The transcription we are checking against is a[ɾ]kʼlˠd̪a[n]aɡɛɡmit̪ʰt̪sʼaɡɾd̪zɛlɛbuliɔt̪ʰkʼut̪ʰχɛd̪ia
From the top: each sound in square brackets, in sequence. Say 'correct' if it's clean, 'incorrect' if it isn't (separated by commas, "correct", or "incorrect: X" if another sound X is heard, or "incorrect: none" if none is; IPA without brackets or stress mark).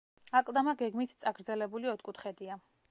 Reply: incorrect: none, incorrect: m